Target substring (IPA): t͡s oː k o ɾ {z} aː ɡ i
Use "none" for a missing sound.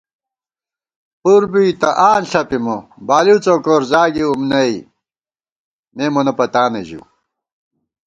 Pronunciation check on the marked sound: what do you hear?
z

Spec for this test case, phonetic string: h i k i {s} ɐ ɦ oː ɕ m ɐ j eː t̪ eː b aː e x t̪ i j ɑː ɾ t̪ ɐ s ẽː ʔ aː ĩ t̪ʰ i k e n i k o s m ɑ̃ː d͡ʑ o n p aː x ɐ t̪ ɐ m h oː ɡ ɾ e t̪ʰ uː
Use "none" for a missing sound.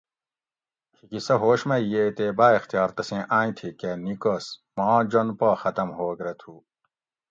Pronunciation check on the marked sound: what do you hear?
s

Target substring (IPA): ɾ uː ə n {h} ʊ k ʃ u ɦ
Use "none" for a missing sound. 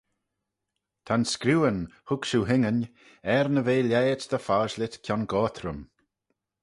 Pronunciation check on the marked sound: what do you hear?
h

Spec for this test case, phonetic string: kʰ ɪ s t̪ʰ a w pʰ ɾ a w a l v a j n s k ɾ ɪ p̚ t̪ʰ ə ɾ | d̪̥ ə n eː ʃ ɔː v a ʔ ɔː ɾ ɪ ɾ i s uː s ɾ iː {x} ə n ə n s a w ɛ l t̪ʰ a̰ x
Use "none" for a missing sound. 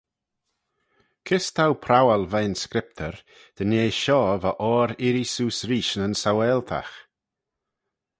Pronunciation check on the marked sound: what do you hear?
ʃ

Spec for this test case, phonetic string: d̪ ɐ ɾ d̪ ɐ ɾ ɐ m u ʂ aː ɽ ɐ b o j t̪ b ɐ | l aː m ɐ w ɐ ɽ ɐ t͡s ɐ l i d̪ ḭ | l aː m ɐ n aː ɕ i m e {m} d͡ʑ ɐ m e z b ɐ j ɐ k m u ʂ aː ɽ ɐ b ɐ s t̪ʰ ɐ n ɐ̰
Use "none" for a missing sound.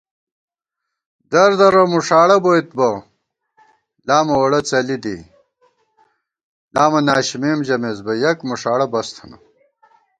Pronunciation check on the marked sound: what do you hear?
m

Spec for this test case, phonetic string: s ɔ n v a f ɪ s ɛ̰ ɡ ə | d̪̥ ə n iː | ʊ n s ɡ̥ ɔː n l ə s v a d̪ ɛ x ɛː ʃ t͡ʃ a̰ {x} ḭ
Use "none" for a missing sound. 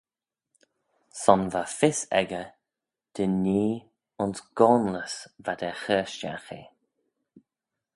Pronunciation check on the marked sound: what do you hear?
x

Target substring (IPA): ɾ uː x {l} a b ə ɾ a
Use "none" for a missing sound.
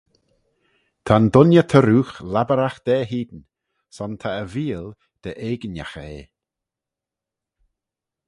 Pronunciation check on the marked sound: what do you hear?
l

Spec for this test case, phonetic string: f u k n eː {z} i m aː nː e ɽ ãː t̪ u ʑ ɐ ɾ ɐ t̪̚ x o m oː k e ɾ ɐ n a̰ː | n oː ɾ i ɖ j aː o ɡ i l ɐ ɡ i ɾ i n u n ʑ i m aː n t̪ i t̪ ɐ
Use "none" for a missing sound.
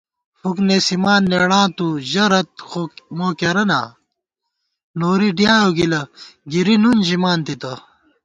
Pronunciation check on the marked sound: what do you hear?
s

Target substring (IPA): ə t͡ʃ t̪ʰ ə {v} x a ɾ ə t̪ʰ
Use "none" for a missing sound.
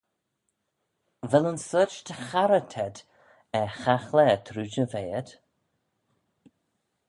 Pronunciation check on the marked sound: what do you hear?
none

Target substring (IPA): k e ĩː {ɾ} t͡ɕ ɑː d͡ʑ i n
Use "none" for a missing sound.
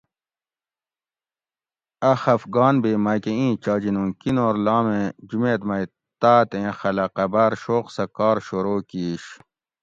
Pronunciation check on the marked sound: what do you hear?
none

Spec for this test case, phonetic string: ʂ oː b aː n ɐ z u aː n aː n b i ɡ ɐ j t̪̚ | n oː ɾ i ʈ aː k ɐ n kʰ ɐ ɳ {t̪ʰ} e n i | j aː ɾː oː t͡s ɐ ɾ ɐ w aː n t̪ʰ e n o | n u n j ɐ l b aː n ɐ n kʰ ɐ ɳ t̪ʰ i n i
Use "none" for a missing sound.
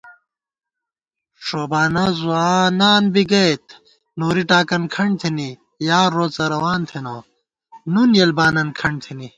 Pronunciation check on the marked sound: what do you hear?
t̪ʰ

